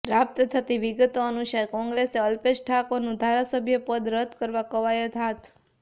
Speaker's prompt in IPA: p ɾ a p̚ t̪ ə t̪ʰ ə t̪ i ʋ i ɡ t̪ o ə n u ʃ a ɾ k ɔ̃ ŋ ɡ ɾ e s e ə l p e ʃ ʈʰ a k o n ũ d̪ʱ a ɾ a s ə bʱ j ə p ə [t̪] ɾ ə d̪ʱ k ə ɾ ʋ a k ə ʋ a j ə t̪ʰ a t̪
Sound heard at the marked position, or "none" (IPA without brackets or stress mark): d̪